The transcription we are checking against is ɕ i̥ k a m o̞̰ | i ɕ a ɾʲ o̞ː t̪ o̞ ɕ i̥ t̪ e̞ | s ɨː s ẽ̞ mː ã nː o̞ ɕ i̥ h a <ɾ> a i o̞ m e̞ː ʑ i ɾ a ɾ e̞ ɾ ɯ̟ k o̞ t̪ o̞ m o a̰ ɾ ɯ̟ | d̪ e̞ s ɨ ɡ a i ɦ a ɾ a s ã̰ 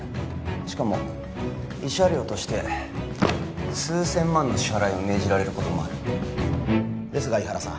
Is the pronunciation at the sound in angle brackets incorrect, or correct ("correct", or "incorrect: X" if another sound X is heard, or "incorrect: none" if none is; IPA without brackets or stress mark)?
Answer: correct